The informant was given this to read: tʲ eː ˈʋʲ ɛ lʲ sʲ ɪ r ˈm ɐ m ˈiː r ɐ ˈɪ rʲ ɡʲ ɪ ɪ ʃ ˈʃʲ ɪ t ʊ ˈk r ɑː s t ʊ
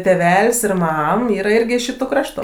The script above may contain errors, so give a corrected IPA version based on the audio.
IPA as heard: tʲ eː ˈʋʲ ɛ lʲ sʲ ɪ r ˈm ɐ m ˈiː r ɐ ˈɪ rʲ ɡʲ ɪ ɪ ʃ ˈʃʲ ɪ t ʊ ˈk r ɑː ʃ t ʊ